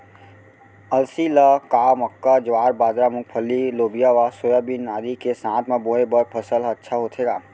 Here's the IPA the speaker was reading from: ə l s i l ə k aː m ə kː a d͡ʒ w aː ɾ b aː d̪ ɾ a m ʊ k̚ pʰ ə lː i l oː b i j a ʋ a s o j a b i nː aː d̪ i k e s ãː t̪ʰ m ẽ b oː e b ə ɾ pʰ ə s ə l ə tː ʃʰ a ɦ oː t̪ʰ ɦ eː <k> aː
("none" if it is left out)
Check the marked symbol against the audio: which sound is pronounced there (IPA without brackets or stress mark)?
ɡ